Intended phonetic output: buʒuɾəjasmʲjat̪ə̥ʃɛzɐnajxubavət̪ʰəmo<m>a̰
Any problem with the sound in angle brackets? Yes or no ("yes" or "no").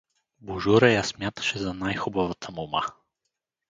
no